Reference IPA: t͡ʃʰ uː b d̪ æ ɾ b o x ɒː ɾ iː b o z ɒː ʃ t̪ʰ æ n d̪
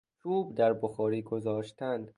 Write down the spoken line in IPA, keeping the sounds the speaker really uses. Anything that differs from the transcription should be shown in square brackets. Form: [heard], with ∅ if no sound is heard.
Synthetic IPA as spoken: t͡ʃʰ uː b d̪ æ ɾ b o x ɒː ɾ iː [ɡ] o z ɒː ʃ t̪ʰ æ n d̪